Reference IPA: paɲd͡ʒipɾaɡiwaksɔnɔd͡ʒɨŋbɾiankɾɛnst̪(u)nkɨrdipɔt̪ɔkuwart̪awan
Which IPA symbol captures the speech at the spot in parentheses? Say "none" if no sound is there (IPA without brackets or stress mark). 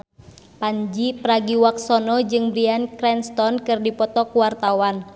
ɔ